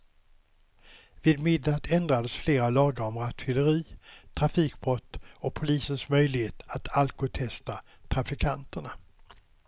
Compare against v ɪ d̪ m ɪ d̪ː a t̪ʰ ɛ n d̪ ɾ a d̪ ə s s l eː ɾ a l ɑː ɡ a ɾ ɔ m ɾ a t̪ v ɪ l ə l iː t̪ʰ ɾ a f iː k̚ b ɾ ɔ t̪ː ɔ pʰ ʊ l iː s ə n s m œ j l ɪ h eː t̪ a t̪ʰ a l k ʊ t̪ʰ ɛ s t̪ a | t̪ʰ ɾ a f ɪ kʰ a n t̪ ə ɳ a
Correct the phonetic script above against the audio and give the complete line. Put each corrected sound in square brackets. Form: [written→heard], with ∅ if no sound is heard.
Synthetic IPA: v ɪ d̪ m ɪ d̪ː a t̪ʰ ɛ n d̪ ɾ a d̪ ə s [s→f] l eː ɾ a l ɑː ɡ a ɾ ɔ m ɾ a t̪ [v→f] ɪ l ə [l→ɾ] iː t̪ʰ ɾ a f iː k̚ b ɾ ɔ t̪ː ɔ pʰ ʊ l iː s ə n s m œ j l ɪ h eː t̪ a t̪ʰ a l k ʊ t̪ʰ ɛ s t̪ a | t̪ʰ ɾ a f ɪ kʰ a n t̪ ə ɳ a